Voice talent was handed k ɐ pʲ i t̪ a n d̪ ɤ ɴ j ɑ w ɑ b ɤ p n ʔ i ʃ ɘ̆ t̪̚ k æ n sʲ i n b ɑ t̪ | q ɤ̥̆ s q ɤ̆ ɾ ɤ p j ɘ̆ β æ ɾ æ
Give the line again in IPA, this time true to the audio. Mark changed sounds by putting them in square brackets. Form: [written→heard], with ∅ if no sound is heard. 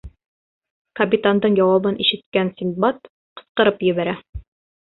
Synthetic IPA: k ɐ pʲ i t̪ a n d̪ ɤ ɴ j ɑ w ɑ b ɤ [p→∅] n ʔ i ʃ ɘ̆ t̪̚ k æ n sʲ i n b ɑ t̪ | q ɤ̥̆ s q ɤ̆ ɾ ɤ p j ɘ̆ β æ ɾ æ